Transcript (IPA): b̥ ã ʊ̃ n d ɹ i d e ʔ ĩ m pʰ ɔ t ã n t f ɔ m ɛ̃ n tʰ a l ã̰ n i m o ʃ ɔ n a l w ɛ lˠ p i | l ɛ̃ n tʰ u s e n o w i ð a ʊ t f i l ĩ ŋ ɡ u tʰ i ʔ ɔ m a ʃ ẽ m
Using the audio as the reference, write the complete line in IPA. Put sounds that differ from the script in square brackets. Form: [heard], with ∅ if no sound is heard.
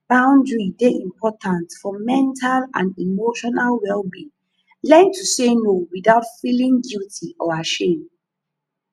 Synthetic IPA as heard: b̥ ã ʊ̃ n d ɹ i d e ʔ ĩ m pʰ ɔ t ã n t f ɔ m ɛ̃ n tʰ a l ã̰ n i m o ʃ ɔ n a l w ɛ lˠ [b] i | l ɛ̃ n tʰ u s e n o w i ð a ʊ t f i l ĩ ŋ ɡ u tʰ i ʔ ɔ [∅] a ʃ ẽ m